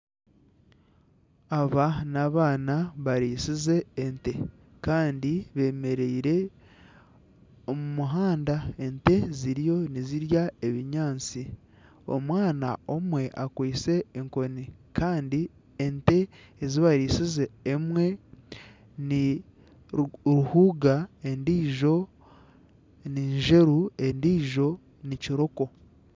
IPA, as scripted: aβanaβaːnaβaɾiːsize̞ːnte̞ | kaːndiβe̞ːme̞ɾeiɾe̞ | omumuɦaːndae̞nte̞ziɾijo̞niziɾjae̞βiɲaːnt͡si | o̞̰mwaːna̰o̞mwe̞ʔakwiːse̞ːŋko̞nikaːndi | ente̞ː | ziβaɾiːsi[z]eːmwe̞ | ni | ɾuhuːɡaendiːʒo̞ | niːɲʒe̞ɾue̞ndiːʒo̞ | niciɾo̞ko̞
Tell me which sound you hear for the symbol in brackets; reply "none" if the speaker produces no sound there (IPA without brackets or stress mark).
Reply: z